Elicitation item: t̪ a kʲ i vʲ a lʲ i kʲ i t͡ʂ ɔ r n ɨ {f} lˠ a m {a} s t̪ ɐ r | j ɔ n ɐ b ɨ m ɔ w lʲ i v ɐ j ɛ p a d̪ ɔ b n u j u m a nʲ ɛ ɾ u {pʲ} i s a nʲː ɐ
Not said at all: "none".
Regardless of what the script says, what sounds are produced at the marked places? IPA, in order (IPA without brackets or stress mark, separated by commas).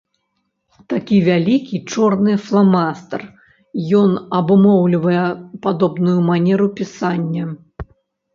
f, a, pʲ